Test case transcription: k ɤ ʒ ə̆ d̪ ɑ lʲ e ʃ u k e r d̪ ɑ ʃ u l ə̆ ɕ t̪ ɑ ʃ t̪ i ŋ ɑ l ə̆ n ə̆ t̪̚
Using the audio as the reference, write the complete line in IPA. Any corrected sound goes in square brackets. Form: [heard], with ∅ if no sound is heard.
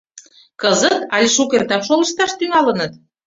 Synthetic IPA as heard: k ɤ [z] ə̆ [t̪] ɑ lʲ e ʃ u k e r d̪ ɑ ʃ [o] l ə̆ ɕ t̪ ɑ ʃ t̪ [y] ŋ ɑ l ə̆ n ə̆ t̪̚